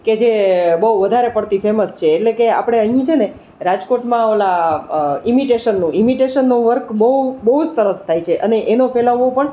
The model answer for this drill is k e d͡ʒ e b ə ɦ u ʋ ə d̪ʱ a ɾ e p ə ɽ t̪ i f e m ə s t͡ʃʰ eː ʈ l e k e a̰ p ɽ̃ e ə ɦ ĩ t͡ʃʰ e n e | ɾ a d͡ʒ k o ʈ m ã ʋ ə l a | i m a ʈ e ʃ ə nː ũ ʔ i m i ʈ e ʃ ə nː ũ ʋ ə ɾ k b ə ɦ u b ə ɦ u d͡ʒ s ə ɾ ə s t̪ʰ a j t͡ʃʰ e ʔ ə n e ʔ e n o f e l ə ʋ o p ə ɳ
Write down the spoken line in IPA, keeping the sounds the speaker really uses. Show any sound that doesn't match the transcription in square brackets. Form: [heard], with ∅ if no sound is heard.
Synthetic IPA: k e d͡ʒ e b ə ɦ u ʋ ə d̪ʱ a ɾ e p ə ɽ t̪ i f e m ə s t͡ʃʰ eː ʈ l e k e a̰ p ɽ̃ e ə ɦ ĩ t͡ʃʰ e n e | ɾ a d͡ʒ k o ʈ m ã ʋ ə l a | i m [i] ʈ e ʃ ə nː ũ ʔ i m i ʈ e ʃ ə nː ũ ʋ ə ɾ k b ə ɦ u b ə ɦ u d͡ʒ s ə ɾ ə s t̪ʰ a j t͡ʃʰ e ʔ ə n e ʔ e n o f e l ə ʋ o p ə ɳ